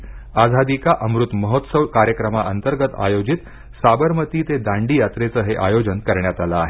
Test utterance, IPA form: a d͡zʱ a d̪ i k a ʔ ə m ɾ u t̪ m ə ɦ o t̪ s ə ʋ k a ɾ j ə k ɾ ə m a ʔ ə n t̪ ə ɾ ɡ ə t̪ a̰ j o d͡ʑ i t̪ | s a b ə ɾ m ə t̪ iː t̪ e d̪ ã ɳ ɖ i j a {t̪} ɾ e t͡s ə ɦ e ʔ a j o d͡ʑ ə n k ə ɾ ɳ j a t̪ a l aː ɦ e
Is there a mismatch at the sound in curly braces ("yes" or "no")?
no